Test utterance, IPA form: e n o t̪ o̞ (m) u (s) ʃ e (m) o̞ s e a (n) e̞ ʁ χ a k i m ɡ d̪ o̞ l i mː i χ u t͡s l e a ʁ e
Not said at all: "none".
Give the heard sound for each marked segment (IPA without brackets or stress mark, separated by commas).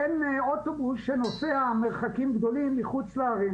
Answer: b, s, n, m